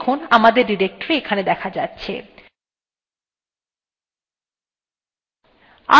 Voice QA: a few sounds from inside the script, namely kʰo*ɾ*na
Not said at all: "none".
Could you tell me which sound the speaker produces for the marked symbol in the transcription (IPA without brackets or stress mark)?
none